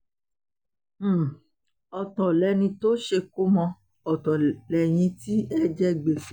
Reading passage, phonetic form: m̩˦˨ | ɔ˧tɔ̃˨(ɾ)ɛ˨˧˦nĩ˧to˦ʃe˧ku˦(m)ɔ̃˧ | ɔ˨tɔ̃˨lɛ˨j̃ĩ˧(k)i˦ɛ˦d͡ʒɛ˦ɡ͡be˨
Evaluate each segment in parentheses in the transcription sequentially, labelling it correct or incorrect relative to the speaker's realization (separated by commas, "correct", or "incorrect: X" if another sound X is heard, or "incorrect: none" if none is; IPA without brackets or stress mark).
incorrect: l, correct, incorrect: t